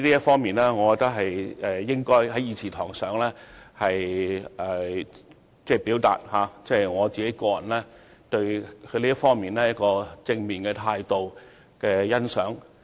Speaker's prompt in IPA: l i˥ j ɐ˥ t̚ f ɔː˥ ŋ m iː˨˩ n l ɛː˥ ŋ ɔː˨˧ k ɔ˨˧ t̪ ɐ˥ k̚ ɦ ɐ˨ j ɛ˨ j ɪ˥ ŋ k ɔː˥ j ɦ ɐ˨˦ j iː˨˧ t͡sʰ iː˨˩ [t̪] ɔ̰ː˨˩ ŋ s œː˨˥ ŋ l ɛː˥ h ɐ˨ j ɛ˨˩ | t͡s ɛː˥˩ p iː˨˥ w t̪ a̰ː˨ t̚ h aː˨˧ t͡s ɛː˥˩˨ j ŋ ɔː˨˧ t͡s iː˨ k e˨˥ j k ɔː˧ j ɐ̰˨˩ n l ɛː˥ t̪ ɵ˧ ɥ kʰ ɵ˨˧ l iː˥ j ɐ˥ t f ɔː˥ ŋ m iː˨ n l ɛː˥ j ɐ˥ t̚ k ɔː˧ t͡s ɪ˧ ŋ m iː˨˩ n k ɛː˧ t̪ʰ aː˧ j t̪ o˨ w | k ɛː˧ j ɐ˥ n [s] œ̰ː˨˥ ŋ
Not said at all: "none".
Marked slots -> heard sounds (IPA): t̪ʰ, s

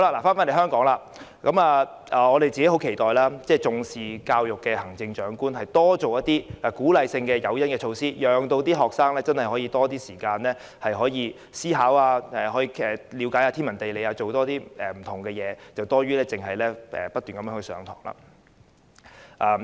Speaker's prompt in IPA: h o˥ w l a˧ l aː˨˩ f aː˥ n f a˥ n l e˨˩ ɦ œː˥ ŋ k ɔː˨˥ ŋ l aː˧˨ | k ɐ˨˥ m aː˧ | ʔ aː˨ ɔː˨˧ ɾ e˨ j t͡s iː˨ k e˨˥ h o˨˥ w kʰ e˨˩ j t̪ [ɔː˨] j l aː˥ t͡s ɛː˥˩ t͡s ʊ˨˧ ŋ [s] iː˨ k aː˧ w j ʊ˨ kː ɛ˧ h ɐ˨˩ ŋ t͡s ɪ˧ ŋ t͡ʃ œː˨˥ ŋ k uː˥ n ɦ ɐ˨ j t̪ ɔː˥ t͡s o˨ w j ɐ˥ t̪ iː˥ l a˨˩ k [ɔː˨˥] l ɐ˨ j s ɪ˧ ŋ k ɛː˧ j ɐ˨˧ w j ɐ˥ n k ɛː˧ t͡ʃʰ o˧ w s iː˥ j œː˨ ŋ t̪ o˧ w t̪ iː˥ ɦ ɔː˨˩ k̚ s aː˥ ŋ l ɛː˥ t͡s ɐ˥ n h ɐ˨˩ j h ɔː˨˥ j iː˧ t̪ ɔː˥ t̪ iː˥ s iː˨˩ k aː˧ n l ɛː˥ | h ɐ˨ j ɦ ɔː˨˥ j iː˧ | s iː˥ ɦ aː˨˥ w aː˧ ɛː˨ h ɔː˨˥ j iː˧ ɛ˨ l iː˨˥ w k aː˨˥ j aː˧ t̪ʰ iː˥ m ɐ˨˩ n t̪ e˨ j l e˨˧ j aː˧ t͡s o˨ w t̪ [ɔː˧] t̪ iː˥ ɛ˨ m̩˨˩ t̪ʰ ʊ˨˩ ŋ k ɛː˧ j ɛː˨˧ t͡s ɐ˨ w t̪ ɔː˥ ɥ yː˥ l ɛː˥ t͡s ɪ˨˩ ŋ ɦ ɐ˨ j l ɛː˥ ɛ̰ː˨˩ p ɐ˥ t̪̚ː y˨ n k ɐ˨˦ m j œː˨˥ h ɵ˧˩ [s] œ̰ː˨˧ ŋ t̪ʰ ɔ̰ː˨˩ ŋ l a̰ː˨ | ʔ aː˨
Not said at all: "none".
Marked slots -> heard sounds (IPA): ɔː˨, s, uː˨˥, ɔː˥, s

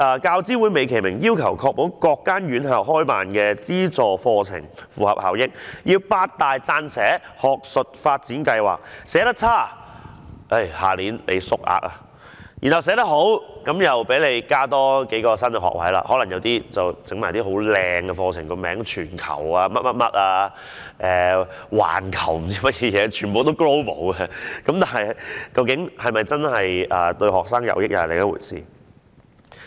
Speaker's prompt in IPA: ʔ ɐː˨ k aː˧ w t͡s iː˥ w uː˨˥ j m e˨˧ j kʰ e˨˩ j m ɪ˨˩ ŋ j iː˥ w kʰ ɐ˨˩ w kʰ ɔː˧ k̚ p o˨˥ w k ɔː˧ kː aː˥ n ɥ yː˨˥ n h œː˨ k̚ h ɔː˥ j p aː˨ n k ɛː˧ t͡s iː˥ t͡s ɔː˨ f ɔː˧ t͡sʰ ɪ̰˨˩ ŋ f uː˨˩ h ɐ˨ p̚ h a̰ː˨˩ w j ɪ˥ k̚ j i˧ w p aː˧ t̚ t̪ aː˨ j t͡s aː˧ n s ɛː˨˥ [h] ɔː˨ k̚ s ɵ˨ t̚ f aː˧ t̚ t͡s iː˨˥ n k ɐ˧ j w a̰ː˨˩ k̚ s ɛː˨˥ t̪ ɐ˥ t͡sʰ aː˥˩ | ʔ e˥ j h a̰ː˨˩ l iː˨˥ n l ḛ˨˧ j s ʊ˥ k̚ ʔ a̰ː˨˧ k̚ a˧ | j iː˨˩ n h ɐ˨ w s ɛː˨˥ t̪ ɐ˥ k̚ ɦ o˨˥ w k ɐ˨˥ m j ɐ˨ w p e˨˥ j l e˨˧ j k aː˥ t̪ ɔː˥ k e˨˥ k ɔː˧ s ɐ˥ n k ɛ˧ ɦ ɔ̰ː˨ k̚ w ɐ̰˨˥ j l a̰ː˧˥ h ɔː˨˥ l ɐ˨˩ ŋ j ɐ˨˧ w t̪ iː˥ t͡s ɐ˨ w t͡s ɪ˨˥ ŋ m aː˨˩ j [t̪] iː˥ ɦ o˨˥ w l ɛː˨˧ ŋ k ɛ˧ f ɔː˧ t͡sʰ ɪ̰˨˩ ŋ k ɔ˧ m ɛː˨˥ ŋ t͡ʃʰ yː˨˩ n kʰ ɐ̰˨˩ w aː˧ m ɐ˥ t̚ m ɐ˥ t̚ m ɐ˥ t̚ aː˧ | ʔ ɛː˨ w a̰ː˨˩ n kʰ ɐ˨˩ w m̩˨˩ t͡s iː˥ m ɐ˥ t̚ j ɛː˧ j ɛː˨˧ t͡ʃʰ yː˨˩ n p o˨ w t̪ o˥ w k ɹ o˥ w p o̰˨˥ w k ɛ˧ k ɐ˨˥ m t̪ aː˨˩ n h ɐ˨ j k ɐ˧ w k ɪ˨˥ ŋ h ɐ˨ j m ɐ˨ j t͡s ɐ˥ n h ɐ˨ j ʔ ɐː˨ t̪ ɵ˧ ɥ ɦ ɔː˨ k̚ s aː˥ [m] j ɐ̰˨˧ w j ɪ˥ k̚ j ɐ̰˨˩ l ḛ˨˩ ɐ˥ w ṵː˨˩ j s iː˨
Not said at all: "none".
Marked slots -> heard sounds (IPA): h, t̪, ŋ

